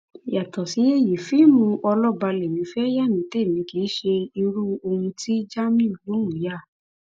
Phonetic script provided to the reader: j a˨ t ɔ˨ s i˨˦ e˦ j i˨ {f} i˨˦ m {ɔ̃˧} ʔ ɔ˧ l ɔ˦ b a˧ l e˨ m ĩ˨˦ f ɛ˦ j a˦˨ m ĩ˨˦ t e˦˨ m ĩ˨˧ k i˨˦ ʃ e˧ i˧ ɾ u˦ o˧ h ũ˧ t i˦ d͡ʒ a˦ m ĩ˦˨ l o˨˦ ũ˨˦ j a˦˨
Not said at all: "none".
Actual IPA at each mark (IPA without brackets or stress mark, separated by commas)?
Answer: f, ũ˧